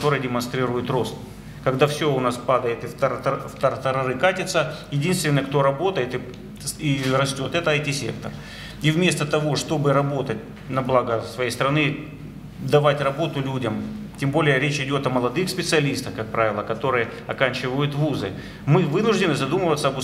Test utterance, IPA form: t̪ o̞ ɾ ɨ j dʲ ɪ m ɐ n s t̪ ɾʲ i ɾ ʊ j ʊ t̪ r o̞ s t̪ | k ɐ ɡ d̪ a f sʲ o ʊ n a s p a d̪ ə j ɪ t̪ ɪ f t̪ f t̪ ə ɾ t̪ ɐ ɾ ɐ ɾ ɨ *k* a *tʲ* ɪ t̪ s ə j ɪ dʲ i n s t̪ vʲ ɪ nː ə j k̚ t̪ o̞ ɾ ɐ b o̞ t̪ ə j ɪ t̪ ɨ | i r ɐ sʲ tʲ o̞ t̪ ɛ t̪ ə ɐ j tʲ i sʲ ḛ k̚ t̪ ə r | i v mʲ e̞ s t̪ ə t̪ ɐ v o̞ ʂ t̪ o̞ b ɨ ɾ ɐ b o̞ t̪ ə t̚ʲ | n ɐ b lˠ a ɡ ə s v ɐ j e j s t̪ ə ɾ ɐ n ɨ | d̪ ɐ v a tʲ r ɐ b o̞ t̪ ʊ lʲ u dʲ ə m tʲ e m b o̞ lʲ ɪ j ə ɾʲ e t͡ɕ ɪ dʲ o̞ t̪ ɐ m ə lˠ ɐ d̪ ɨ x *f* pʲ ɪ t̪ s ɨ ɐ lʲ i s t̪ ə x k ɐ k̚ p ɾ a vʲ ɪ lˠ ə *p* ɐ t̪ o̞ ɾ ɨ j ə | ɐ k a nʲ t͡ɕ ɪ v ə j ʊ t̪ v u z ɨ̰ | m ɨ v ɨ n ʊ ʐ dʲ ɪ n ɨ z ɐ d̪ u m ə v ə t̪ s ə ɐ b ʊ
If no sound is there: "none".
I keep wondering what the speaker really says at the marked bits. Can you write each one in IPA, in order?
k, tʲ, s, k

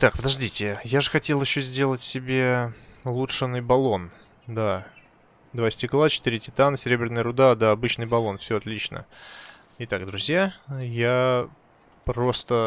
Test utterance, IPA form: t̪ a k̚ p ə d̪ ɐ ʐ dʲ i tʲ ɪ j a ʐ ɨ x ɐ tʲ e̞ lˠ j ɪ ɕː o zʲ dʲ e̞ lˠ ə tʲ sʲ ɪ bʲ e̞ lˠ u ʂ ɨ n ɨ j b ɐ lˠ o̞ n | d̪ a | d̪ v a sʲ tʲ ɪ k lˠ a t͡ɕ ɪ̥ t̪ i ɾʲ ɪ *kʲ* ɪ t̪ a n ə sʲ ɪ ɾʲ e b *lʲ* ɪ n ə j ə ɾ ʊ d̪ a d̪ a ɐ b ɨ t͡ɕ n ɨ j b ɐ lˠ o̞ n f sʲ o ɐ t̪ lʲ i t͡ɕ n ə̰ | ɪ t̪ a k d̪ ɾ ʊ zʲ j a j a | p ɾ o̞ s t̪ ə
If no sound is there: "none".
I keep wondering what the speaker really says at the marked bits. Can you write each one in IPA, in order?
tʲ, ɾʲ

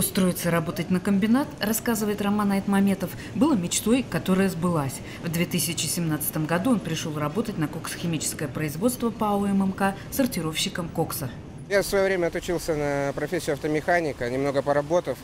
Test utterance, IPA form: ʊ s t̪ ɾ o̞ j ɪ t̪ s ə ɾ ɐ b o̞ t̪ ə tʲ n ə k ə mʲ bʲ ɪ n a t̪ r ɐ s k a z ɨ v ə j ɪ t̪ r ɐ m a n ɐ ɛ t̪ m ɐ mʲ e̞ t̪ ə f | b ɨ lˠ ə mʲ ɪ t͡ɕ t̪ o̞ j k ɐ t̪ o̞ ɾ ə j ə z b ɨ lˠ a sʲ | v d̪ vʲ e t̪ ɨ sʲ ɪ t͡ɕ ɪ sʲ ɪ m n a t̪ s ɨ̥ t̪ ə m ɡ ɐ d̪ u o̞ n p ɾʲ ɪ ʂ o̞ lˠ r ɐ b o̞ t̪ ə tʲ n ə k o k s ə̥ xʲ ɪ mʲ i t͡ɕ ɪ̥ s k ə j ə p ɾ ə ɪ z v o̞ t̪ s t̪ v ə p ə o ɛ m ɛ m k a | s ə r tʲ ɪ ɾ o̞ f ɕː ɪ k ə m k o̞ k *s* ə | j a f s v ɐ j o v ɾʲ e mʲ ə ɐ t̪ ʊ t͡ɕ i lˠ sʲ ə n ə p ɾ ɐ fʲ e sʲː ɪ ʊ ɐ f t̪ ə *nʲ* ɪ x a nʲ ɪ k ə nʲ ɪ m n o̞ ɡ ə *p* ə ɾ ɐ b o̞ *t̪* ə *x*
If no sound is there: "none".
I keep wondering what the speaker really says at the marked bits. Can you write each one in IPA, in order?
s, mʲ, p, t̪, f

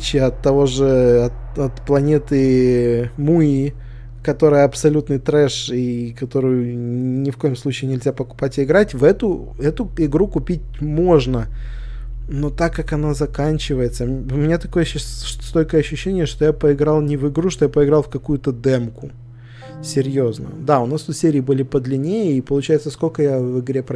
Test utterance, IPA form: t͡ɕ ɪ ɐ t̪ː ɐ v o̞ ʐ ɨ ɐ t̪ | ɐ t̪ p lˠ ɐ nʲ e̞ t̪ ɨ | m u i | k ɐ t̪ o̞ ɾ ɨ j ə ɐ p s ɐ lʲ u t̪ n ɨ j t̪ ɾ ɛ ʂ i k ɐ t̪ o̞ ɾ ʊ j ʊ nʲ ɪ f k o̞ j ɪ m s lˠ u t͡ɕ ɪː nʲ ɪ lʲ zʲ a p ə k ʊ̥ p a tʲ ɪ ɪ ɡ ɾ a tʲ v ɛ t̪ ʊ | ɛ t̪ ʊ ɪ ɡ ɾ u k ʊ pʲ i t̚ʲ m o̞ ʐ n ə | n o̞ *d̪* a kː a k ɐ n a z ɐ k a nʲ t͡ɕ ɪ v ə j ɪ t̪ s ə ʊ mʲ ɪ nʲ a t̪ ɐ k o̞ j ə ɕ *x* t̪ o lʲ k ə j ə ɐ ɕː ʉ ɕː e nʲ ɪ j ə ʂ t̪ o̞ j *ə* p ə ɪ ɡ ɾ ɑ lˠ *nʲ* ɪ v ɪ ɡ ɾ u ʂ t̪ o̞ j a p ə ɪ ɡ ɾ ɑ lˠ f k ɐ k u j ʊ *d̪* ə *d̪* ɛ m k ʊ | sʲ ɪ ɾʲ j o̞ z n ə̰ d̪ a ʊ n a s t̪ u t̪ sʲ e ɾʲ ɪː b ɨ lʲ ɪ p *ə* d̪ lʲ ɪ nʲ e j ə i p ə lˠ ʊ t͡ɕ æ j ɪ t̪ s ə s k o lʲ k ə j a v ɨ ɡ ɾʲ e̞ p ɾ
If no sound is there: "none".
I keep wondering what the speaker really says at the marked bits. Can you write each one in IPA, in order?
t̪, s, a, nʲ, t̪, d̪, ə

